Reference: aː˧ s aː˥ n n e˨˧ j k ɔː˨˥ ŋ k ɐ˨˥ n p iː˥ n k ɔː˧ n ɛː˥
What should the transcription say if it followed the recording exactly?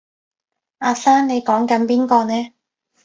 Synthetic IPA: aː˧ s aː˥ n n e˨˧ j k ɔː˨˥ ŋ k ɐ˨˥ n p iː˥ n k ɔː˧ n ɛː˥